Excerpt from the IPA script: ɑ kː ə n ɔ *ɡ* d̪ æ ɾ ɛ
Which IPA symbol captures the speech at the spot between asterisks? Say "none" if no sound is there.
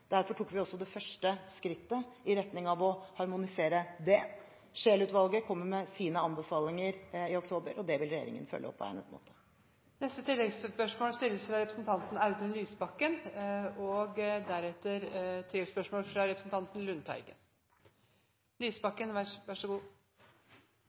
ɡ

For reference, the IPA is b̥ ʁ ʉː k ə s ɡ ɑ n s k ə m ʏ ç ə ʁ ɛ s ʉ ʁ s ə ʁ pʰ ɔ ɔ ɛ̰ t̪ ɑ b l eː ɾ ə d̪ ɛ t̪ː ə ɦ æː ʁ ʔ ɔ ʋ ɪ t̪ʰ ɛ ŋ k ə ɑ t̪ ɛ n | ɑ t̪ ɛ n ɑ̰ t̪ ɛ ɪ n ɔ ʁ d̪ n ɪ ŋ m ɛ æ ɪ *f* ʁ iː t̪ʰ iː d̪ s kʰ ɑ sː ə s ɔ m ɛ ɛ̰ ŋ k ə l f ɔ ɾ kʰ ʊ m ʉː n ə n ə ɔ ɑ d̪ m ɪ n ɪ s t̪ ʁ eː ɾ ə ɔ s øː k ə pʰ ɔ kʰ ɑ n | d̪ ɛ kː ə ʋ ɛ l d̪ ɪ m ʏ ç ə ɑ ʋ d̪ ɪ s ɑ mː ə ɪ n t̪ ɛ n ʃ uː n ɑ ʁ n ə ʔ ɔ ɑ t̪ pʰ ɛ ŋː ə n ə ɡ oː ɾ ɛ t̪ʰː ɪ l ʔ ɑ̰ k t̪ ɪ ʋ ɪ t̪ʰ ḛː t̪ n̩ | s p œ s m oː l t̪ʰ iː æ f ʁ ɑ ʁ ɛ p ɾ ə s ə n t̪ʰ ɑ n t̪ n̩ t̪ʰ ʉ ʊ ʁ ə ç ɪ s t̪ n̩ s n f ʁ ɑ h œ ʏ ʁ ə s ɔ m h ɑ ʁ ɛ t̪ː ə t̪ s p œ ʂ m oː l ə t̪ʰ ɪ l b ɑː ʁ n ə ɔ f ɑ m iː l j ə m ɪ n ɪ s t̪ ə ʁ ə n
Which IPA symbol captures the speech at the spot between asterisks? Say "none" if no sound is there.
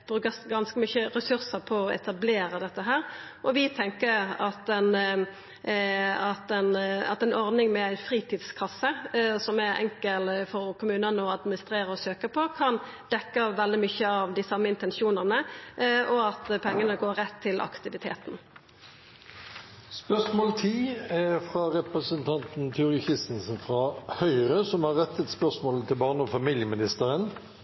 f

